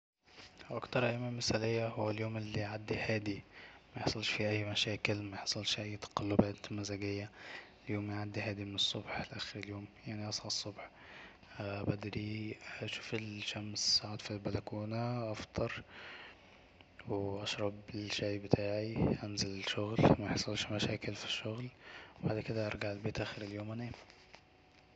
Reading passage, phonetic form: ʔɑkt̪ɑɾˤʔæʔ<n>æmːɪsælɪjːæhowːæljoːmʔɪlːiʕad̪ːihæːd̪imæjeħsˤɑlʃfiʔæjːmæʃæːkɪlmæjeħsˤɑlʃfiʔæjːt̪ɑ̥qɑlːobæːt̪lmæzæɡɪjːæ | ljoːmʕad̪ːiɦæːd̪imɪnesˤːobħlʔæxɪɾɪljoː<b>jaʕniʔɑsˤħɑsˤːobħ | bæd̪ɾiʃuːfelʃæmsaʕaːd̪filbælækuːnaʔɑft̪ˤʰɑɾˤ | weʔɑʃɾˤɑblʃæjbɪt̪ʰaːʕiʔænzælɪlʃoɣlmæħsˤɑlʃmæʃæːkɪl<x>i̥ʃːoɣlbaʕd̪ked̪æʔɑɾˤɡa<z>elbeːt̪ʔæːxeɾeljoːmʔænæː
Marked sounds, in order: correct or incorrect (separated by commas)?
incorrect, incorrect, incorrect, incorrect